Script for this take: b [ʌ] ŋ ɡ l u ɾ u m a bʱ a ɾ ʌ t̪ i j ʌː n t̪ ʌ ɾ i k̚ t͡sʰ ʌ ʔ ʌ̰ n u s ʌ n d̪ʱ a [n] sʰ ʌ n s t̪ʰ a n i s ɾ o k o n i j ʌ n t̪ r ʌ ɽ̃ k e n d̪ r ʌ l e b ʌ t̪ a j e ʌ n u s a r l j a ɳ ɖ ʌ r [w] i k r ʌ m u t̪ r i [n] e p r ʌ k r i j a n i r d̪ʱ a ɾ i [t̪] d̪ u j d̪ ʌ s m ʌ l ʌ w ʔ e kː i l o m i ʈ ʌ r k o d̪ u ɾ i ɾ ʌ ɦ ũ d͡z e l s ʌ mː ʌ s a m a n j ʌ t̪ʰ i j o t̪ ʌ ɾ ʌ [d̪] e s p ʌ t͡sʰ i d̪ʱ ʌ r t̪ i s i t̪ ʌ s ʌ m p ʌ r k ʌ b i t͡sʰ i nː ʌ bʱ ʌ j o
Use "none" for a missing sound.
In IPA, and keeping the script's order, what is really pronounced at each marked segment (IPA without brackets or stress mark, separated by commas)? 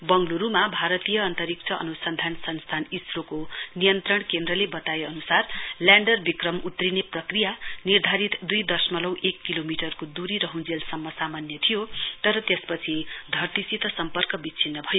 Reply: ʌ, n, b, n, t̪, t̪